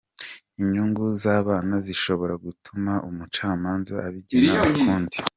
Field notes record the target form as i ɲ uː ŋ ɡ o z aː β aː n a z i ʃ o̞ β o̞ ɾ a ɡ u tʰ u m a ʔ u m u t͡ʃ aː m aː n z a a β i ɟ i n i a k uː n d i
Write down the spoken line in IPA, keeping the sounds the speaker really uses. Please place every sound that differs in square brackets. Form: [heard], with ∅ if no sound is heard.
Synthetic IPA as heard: i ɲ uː ŋ ɡ [u] z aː β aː n a z i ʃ o̞ β o̞ ɾ a ɡ u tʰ u m a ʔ u m u t͡ʃ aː m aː n z a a β i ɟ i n [a] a k uː n d i